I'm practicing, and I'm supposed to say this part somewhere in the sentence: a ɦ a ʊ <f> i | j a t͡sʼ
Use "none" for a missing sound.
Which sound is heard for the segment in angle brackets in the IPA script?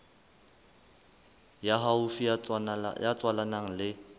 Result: f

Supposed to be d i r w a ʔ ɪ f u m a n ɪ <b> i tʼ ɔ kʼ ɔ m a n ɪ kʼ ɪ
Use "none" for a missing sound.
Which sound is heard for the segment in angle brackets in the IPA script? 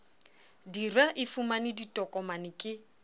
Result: d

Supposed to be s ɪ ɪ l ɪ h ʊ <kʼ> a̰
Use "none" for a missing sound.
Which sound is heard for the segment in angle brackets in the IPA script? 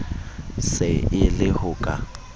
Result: kʼ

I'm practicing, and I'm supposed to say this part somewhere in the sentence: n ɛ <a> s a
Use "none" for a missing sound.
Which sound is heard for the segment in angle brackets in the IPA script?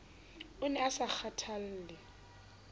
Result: a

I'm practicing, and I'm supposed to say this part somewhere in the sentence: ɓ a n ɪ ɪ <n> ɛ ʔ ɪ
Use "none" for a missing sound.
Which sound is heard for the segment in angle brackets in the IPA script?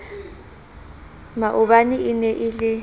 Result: n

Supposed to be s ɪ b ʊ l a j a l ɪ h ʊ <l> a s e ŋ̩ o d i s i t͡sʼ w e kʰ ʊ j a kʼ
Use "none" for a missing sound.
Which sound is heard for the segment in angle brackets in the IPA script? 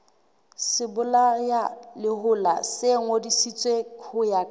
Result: l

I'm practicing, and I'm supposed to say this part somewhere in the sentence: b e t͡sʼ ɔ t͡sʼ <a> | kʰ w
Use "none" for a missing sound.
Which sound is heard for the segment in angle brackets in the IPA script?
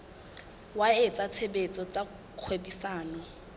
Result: a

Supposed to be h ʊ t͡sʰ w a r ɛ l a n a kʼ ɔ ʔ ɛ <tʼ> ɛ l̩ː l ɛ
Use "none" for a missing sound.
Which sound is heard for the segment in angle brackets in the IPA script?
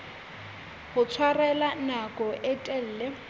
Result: tʼ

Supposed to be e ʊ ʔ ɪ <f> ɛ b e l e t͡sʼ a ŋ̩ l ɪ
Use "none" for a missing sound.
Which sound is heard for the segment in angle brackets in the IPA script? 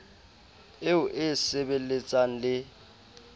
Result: s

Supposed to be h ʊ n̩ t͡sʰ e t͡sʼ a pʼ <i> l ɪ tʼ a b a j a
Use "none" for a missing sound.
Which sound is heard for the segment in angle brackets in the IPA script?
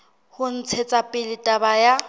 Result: ɪ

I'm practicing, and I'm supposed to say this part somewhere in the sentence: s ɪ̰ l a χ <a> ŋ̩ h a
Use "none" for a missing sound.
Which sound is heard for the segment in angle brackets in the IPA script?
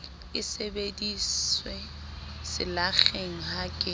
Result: e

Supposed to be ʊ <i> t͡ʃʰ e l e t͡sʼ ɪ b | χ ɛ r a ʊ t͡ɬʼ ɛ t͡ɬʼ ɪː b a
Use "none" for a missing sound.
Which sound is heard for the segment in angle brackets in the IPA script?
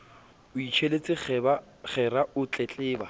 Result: i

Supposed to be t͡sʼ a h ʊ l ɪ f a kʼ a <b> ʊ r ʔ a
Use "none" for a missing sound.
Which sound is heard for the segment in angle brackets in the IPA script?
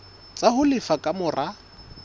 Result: m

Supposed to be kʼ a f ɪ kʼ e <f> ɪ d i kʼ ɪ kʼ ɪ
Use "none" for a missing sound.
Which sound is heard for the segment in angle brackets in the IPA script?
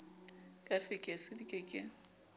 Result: s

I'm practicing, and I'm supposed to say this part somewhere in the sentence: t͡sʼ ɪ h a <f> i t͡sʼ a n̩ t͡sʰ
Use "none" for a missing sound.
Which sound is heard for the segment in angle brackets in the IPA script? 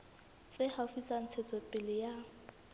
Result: f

